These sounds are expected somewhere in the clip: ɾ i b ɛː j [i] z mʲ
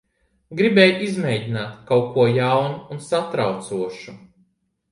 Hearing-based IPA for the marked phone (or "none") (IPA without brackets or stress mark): i